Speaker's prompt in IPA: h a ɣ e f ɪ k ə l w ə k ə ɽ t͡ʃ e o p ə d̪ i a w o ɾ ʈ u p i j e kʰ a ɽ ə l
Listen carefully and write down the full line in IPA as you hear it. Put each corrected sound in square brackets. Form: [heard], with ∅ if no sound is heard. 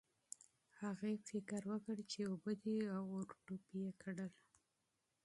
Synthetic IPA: h a ɣ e f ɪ k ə [ɾ] w ə k ə ɽ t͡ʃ e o [b] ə d̪ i a w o ɾ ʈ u p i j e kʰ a ɽ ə l